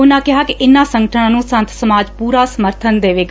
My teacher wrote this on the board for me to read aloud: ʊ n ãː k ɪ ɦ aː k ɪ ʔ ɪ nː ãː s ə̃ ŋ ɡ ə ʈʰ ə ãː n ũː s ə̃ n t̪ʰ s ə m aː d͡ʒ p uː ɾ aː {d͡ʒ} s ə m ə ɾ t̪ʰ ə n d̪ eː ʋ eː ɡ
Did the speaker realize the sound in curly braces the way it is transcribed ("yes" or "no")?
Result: no